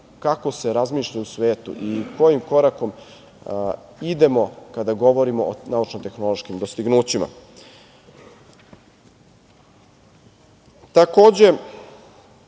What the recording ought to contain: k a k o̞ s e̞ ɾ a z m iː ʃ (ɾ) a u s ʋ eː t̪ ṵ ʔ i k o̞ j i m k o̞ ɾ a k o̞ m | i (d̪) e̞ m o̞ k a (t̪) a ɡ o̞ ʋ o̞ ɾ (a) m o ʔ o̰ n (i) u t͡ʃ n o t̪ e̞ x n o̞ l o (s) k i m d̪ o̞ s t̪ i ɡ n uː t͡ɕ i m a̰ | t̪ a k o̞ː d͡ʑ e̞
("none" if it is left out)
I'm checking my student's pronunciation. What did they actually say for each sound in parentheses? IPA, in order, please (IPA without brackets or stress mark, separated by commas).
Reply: ʎ, d̪, d̪, i, a, ʃ